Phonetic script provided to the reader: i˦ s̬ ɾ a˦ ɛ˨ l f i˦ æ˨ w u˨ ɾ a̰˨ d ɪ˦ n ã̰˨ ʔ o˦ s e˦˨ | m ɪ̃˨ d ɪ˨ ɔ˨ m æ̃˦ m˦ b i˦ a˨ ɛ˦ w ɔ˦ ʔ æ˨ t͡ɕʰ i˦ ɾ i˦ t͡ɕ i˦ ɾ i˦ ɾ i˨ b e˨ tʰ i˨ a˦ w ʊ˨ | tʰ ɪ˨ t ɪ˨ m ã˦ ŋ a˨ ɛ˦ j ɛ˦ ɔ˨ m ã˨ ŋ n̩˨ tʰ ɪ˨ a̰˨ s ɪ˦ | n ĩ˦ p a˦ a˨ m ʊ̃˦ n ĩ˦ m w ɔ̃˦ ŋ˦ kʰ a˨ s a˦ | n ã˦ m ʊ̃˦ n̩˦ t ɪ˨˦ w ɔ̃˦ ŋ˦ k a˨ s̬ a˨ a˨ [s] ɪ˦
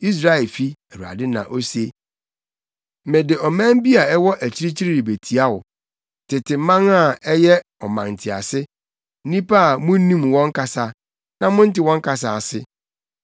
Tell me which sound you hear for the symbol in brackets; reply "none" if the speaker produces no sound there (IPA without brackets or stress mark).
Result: s